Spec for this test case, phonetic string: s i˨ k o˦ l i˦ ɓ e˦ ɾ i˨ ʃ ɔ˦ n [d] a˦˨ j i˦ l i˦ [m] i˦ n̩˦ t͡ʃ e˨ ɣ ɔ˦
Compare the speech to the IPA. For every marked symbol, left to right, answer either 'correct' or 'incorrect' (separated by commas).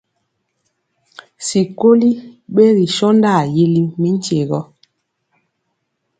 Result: correct, correct